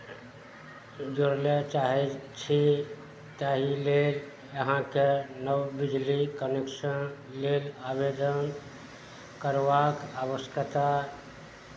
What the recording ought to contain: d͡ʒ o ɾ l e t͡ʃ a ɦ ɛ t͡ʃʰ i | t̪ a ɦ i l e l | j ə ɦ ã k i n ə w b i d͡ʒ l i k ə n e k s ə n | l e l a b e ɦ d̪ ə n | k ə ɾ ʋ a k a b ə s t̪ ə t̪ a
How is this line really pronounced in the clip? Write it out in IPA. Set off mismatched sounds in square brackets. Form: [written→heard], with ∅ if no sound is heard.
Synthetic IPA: d͡ʒ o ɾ l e t͡ʃ a ɦ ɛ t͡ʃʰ i | t̪ a ɦ i l e l | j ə ɦ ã k [i→e] n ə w b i d͡ʒ l i k ə n e k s ə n | l e l a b e [ɦ→∅] d̪ ə n | k ə ɾ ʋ a k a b ə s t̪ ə t̪ a